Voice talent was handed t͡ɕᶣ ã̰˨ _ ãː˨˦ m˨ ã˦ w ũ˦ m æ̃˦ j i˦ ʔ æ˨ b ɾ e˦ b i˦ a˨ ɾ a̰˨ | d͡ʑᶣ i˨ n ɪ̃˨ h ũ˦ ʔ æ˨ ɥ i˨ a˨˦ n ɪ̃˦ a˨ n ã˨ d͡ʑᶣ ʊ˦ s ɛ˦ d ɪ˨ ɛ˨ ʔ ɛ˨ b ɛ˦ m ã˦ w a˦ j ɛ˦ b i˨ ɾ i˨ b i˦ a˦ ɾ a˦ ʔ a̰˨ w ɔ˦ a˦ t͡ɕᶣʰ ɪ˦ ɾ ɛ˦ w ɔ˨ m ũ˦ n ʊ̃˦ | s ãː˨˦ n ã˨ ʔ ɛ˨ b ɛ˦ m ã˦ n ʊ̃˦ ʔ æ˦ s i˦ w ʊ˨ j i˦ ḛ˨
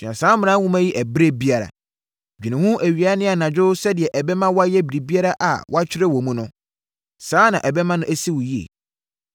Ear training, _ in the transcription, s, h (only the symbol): s